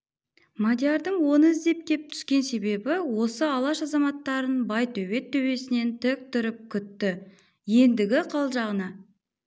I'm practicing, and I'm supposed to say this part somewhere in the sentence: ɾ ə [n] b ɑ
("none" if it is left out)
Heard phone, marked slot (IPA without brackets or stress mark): n